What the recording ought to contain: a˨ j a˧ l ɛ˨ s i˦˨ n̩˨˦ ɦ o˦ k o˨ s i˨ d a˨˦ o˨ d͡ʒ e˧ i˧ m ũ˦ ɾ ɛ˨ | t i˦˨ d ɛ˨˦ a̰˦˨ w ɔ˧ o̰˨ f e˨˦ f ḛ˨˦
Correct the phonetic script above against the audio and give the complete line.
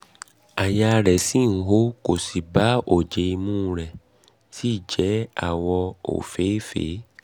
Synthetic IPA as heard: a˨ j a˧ ɾ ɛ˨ s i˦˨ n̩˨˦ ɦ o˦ k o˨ s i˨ b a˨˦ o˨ d͡ʒ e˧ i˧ m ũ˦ ɾ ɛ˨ | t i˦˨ d͡ʒ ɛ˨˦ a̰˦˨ w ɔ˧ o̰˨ f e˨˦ f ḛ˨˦